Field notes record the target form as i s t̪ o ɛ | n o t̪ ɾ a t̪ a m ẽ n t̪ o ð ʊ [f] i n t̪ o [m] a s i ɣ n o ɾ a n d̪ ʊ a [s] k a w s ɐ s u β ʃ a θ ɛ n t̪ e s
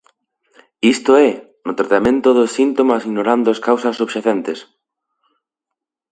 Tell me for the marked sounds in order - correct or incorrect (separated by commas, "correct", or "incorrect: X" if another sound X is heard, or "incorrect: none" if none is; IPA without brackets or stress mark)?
incorrect: s, correct, correct